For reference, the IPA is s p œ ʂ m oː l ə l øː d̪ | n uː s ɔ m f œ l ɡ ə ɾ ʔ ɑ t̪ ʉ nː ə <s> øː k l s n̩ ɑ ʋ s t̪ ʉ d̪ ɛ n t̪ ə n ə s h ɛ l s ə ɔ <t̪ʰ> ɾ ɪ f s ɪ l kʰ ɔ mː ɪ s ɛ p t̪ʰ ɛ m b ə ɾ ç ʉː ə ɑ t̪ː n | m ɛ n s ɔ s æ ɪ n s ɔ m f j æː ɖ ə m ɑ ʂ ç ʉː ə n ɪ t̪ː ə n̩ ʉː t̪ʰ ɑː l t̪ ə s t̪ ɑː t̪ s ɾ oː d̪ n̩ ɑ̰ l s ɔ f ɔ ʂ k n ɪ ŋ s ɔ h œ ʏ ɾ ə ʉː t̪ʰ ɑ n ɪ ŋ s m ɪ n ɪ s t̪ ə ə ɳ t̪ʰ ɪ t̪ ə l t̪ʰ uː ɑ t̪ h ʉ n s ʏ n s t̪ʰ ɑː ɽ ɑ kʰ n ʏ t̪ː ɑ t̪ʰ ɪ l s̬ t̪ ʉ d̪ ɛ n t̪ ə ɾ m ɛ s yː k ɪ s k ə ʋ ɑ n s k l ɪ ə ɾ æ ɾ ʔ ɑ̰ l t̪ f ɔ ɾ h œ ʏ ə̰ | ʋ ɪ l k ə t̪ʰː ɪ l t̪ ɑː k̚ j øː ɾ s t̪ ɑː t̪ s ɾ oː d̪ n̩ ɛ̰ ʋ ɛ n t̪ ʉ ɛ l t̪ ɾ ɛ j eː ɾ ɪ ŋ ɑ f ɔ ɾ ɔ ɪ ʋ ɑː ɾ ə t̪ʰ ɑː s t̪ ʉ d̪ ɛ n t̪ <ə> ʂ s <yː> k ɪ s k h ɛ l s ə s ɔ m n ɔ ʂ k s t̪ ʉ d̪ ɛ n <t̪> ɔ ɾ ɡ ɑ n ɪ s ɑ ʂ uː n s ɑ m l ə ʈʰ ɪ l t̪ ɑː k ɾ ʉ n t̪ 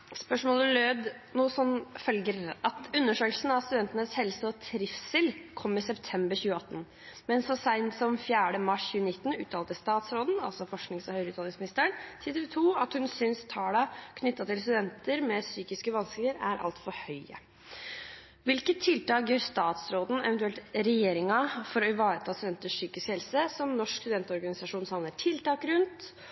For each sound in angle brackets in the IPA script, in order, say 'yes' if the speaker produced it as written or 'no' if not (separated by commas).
no, yes, yes, yes, yes